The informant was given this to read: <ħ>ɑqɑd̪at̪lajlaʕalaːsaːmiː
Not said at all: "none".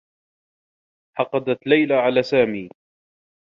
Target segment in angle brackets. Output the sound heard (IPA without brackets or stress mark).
ħ